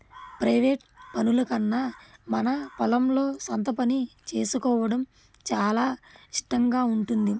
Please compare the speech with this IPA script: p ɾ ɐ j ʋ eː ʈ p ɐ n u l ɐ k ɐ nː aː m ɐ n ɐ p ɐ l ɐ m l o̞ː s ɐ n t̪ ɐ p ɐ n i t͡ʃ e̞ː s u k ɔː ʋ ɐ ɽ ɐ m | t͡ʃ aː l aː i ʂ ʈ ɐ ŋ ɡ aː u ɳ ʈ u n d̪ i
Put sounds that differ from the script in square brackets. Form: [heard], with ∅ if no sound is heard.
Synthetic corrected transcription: p ɾ ɐ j ʋ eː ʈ p ɐ n u l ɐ k ɐ nː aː m ɐ n ɐ p ɐ l ɐ m l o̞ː s ɐ n t̪ ɐ p ɐ n i t͡ʃ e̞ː s u k ɔː ʋ ɐ ɽ ɐ m | t͡ʃ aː l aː i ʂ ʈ ɐ ŋ ɡ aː u ɳ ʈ u n d̪ i